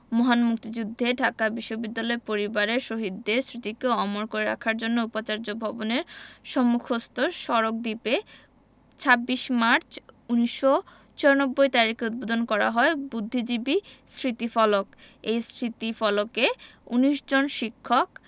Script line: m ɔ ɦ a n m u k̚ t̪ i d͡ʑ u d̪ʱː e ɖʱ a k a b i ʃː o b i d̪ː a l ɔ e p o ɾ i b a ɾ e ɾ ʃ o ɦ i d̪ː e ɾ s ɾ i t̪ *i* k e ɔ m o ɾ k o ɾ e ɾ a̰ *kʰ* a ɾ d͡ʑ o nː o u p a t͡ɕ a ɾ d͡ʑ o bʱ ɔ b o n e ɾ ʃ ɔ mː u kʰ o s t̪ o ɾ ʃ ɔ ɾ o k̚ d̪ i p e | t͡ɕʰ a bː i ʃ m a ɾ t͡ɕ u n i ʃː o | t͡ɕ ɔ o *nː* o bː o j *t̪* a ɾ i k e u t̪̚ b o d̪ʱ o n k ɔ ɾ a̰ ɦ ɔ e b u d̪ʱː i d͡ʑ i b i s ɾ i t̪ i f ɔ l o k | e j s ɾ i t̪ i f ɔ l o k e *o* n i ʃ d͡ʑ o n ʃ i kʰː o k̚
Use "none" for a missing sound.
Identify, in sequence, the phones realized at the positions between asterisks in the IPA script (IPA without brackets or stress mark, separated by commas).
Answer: i, kʰ, n, t̪, u